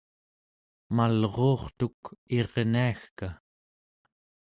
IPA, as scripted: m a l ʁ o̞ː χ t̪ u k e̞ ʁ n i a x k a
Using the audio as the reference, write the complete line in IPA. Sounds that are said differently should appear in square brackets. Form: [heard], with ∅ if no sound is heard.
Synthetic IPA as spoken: m a l ʁ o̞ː χ t̪ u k e̞ ʁ n i a x k a